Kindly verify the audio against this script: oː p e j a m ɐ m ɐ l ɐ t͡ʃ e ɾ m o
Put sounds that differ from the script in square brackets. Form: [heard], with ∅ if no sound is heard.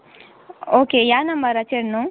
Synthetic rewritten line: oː [k] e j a [n] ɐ m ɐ [ɾ] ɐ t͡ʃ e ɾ [n] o

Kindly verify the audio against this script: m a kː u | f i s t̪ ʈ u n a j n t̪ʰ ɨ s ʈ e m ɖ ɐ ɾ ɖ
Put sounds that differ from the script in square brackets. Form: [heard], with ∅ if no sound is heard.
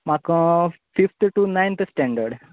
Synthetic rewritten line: m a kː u | f i [f] t̪ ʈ u n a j n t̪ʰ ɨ s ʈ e [ɳ] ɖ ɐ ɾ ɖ

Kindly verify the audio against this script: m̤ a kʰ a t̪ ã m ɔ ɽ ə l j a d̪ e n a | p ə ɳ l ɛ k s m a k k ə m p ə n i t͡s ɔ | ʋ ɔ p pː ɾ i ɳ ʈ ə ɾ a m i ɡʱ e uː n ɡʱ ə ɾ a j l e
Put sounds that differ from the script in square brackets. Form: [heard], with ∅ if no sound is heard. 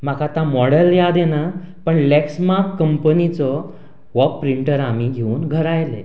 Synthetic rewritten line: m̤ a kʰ a t̪ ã m ɔ ɽ ə l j a d̪ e n a | p ə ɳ l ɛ k s m a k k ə m p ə n i t͡s ɔ | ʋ ɔ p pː ɾ i ɳ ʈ ə ɾ a m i ɡʱ e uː n ɡʱ ə ɾ a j l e

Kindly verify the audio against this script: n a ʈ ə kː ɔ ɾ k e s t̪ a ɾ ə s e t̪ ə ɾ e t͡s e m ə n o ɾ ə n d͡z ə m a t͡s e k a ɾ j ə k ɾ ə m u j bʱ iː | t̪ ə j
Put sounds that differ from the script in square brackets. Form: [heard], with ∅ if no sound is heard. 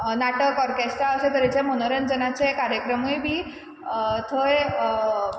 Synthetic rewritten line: n a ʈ ə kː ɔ ɾ k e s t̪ a [∅] ə s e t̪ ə ɾ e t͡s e m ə n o ɾ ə n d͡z ə [n] a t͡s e k a ɾ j ə k ɾ ə m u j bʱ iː | [t̪ʰ] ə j

